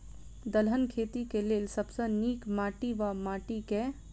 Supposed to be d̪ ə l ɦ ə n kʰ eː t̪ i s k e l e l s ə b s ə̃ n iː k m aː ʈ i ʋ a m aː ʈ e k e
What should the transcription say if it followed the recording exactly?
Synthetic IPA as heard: d̪ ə l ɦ ə n kʰ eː t̪ i k e l e l s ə b s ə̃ n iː k m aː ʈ i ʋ a m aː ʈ i k e